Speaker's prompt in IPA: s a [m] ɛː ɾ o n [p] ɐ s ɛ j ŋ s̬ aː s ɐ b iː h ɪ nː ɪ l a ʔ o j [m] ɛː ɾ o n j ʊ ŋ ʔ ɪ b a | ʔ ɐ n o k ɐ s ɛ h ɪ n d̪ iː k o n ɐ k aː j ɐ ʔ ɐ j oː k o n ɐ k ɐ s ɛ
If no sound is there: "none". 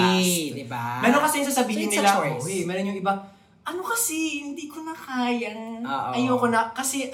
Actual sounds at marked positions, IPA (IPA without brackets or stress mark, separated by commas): m, k, m